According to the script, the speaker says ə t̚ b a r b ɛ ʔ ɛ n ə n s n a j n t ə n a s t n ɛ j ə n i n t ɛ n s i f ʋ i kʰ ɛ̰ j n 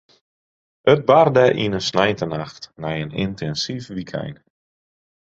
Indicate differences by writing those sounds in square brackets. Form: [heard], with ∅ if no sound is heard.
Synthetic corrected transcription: ə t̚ b a r [d] ɛ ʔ [i] n ə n s n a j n t ə n a [x] t n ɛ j ə n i n t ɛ n s i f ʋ i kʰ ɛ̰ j n

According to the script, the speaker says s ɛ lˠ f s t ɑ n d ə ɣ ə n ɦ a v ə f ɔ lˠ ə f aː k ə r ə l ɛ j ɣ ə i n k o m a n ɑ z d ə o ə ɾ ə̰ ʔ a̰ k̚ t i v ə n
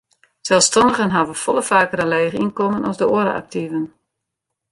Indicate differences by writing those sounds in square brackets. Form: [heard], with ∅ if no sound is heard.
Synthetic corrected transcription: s ɛ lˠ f s t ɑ n d ə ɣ ə n ɦ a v ə f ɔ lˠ ə f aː k ə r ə l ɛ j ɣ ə i n k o m [ə] n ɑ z d ə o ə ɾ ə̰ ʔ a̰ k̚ t i v ə n

